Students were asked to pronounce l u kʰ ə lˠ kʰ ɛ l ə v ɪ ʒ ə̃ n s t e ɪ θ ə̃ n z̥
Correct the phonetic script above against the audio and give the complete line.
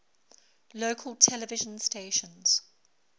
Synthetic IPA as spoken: l o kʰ ə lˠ tʰ ɛ l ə v ɪ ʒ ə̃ n s t e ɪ ʃ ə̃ n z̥

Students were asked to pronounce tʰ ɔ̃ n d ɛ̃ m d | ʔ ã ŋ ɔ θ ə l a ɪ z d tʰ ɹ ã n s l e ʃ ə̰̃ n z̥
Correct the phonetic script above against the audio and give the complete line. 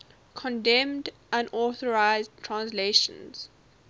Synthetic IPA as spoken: kʰ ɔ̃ n d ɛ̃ m d | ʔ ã n ɔ θ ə ɹ a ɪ z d tʰ ɹ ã n s l e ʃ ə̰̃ n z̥

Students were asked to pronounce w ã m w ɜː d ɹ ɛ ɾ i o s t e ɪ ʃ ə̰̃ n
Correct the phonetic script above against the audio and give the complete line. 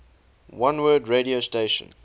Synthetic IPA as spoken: w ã n w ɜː d ɹ e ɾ i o s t e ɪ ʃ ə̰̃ n

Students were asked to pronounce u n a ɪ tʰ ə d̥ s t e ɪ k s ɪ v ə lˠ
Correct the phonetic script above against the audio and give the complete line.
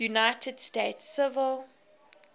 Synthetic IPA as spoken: u n a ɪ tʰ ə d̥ s t e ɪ t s ɪ v ə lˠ

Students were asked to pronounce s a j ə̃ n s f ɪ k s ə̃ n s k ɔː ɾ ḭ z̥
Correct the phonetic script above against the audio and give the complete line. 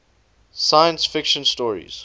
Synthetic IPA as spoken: s a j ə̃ n s f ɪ k ʃ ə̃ n s t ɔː ɹ ḭ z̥

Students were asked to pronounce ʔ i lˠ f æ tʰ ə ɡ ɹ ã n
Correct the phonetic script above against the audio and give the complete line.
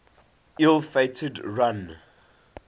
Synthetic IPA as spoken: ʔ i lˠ f e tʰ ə d ɹ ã n

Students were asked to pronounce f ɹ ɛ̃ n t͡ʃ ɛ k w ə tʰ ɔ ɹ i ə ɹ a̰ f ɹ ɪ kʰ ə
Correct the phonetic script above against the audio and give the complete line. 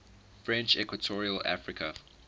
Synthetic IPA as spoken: f ɹ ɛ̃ n t͡ʃ ɛ k w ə tʰ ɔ ɹ i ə l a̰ f ɹ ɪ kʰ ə

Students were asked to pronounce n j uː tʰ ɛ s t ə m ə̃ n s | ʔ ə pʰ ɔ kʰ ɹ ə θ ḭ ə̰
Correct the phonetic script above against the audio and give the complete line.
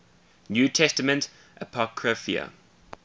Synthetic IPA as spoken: n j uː tʰ ɛ s t ə m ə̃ n t | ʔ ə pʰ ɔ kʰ ɹ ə f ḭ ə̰

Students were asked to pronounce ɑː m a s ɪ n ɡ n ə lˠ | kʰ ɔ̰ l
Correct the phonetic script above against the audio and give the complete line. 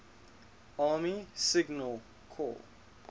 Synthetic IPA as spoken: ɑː m i s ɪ ɡ n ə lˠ | kʰ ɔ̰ l

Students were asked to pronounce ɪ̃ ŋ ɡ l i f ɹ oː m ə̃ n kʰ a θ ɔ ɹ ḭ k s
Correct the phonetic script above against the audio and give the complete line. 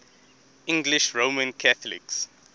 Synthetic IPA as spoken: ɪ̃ ŋ ɡ l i ʃ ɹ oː m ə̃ n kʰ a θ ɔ l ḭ k s

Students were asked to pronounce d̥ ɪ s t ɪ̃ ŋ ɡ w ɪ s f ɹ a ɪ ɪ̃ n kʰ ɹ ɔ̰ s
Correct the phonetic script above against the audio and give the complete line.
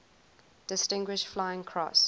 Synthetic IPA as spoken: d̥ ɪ s t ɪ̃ ŋ ɡ w ɪ ʃ f l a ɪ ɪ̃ ŋ kʰ ɹ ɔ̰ s

